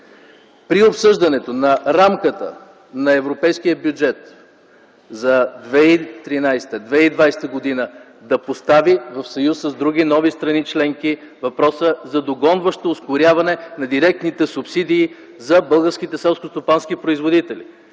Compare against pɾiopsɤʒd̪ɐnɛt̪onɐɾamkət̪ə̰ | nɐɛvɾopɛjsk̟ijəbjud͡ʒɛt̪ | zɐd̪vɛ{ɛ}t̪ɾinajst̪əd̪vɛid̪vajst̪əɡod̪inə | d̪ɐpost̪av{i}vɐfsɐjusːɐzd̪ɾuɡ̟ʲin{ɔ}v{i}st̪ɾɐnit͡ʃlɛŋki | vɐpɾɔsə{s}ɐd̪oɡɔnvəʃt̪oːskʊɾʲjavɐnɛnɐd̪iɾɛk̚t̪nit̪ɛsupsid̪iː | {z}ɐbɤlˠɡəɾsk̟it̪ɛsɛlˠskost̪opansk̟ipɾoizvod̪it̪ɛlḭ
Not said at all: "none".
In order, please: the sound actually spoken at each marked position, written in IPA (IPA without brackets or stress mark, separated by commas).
i, i, ɔ, i, z, z